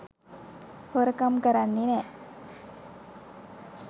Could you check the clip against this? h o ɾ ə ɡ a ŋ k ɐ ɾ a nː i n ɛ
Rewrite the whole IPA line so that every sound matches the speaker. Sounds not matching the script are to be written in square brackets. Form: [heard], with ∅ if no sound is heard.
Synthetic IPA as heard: h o ɾ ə [k] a [m] k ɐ ɾ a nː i n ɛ